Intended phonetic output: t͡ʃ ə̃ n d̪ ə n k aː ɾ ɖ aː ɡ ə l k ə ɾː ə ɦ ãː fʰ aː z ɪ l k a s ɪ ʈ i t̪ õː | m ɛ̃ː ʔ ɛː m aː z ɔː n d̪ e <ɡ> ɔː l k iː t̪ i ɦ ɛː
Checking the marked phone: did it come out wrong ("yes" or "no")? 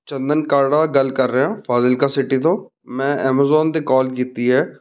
yes